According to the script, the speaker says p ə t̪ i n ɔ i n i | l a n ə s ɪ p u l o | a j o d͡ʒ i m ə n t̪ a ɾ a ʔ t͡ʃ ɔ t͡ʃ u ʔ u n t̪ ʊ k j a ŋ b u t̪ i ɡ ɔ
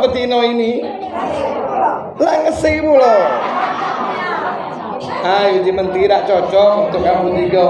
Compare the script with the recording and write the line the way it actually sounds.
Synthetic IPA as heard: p ə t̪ i n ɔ i n i | l a ŋ ə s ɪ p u l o | a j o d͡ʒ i m ə n t̪ i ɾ a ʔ t͡ʃ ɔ t͡ʃ ɔ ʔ u n t̪ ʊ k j a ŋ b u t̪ i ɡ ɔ